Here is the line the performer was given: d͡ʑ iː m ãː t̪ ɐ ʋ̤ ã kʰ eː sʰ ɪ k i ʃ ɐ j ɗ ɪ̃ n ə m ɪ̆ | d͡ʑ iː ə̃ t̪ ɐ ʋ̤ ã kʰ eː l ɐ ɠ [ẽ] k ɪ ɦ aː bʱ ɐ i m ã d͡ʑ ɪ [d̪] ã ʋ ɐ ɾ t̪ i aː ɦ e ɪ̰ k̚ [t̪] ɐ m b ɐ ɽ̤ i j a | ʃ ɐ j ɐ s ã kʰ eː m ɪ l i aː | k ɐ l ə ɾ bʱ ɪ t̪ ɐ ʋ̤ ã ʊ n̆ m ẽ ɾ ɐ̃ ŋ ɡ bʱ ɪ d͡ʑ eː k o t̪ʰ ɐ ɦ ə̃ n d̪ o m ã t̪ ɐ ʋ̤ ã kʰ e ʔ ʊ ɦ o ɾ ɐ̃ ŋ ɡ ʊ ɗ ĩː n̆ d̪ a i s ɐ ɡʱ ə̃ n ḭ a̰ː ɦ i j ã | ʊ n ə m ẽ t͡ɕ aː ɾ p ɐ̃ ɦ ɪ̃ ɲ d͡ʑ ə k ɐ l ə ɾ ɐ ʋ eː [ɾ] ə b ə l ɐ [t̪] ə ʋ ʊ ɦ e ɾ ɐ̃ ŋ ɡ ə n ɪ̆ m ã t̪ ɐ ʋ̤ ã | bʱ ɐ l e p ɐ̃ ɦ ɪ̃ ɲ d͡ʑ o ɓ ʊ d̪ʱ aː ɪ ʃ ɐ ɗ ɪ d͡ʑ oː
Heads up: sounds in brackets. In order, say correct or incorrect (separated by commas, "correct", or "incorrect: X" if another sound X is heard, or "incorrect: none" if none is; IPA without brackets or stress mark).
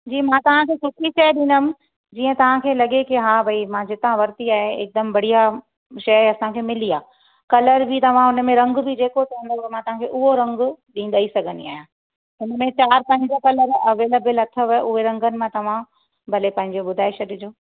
incorrect: e, incorrect: t̪, incorrect: d̪, incorrect: l, incorrect: t̪ʰ